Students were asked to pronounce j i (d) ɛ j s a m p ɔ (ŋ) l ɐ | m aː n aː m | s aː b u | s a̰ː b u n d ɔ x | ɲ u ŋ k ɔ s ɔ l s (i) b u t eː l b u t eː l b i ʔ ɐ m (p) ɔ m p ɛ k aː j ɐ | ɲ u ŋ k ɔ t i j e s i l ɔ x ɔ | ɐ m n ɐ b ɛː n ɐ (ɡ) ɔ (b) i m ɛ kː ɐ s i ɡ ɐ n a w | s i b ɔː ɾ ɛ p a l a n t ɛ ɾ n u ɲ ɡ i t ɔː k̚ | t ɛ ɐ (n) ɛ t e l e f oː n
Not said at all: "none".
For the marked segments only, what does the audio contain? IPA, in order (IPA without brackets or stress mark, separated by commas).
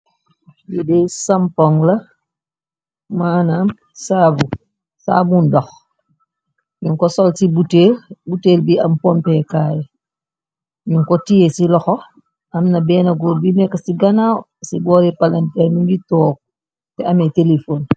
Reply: d, ŋ, i, p, ɡ, b, m